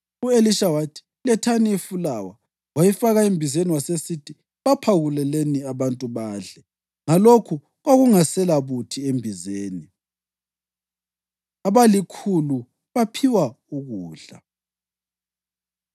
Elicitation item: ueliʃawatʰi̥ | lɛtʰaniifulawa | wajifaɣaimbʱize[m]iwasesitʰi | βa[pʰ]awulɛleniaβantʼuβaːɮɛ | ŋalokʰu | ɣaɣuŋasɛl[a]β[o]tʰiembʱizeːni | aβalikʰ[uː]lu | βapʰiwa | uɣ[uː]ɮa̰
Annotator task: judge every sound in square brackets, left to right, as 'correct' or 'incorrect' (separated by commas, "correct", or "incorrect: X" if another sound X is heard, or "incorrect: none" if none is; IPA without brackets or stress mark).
incorrect: n, correct, correct, incorrect: u, incorrect: u, correct